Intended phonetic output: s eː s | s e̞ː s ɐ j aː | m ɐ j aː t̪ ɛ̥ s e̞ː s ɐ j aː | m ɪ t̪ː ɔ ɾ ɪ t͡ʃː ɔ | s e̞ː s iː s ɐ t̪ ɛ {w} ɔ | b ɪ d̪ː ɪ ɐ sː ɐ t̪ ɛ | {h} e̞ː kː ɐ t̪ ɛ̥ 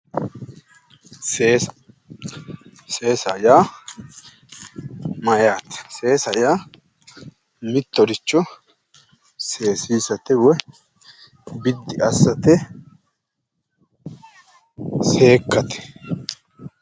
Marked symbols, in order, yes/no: yes, no

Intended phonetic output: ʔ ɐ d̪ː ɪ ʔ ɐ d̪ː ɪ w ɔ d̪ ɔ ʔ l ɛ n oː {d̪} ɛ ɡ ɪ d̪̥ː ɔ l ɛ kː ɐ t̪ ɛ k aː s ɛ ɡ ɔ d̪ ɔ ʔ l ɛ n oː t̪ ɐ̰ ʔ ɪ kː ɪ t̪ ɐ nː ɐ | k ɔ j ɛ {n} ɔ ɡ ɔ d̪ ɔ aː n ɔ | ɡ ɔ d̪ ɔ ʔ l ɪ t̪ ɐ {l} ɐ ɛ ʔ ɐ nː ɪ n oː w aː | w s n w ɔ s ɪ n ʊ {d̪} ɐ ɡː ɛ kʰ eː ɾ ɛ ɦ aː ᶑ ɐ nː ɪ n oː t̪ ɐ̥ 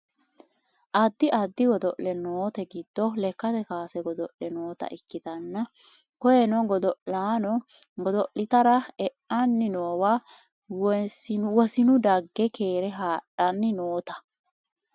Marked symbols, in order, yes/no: no, yes, no, yes

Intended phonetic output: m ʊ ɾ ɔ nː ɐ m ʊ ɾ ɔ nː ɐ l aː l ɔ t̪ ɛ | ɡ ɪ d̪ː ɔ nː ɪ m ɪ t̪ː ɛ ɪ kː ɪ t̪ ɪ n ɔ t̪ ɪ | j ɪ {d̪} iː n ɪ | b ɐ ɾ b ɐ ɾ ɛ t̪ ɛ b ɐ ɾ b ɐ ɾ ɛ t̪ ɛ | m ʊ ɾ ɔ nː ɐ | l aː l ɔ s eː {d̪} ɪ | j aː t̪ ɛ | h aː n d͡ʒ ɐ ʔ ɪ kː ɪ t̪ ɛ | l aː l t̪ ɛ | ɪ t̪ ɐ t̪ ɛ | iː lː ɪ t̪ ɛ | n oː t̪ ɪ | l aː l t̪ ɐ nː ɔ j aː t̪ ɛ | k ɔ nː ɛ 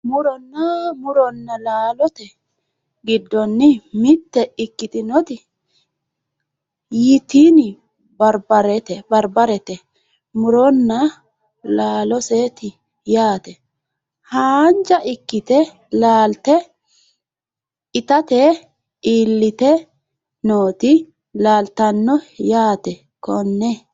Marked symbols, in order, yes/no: no, no

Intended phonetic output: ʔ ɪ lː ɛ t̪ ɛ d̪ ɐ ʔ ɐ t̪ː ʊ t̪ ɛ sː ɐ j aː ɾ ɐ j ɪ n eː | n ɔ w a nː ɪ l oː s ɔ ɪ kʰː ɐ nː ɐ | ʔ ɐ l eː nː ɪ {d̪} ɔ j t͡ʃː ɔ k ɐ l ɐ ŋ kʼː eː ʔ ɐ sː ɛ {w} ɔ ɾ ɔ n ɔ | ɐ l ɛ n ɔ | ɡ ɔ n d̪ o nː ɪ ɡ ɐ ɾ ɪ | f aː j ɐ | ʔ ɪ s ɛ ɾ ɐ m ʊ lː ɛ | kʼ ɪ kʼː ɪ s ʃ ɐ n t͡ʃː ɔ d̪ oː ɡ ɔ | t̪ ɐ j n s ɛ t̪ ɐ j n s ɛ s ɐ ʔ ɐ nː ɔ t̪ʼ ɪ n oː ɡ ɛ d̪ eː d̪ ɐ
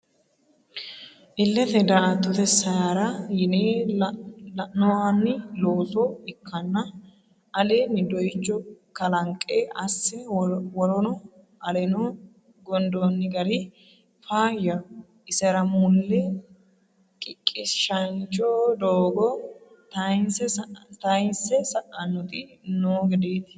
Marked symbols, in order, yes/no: yes, yes

